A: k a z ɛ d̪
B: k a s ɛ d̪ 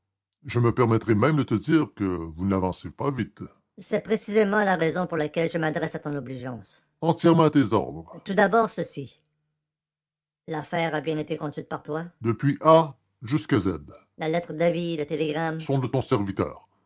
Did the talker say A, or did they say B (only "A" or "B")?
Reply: A